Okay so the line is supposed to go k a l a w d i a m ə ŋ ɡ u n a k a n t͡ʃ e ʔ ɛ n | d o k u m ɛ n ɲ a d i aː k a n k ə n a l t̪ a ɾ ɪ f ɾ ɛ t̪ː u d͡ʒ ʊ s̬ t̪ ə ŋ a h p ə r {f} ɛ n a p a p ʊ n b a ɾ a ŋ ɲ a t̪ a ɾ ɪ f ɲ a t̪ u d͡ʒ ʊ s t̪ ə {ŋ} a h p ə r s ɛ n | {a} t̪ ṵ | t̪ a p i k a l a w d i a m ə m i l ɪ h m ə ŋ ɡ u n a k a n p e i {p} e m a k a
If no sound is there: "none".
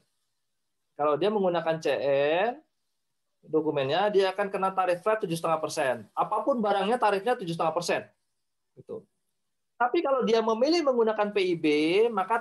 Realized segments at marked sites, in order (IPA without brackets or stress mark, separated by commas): s, ŋ, i, b